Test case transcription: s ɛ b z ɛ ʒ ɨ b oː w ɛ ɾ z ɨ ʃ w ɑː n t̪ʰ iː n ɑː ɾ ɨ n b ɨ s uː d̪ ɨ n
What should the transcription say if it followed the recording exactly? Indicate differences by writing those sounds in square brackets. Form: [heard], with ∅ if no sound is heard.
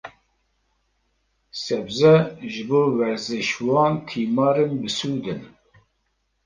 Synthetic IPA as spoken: s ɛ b z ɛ ʒ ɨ b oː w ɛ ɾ z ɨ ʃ w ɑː n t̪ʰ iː [m] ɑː ɾ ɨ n b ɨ s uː d̪ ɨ n

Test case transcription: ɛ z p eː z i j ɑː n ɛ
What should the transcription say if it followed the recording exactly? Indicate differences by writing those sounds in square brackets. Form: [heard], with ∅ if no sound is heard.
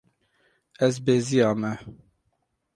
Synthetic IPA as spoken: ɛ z [b] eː z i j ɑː [m] ɛ

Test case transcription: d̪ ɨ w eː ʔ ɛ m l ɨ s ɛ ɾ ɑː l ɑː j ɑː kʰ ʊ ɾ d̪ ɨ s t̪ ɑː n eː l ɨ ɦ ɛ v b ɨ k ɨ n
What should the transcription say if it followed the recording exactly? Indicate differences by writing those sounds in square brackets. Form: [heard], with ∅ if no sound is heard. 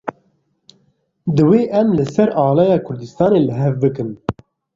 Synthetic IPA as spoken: d̪ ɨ w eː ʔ ɛ m l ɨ s ɛ ɾ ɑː l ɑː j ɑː kʰ ʊ ɾ d̪ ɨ s t̪ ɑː n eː l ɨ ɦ ɛ v b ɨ k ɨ n

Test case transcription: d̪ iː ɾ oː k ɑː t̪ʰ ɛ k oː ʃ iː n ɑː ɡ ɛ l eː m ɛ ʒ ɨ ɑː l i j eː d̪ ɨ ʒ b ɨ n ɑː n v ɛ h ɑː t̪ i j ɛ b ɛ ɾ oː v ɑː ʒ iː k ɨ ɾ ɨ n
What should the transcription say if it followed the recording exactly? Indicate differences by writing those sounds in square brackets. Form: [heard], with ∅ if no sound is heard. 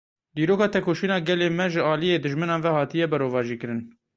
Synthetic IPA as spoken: d̪ iː ɾ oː k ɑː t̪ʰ ɛ k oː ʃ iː n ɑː ɡ ɛ l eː m ɛ ʒ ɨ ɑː l i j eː d̪ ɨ ʒ [m] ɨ n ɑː n v ɛ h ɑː t̪ i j ɛ b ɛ ɾ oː v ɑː ʒ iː k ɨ ɾ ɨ n

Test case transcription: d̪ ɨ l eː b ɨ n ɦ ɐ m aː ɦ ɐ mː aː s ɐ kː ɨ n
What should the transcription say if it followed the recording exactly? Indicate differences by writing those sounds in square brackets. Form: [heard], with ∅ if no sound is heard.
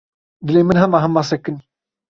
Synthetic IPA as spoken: d̪ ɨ l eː [m] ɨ n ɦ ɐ m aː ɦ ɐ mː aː s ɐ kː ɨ n

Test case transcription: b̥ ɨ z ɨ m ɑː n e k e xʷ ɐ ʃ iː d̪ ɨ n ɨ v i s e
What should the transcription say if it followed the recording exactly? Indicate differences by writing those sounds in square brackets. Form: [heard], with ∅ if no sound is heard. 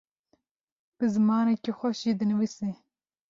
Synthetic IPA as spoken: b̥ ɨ z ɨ m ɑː n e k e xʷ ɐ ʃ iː d̪ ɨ n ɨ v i s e

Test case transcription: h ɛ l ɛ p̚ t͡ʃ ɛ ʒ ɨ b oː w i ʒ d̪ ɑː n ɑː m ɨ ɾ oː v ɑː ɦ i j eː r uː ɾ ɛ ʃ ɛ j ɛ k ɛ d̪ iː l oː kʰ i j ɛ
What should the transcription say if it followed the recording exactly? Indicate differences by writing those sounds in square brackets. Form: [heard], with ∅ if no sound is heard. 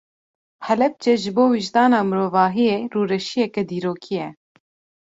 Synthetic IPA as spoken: h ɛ l ɛ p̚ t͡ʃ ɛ ʒ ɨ b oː w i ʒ d̪ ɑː n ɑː m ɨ ɾ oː v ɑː ɦ i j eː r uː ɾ ɛ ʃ [i] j ɛ k ɛ d̪ iː [ɾ] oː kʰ i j ɛ

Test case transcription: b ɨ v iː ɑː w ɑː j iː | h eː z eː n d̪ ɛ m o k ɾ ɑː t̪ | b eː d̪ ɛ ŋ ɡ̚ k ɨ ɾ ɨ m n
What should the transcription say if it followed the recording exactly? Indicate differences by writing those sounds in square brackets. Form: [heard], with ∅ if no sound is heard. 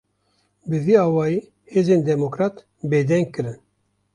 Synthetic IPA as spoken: b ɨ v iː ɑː w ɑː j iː | h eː z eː n d̪ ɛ m o k ɾ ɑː t̪ | b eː d̪ ɛ ŋ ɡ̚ k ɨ ɾ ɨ [∅] n

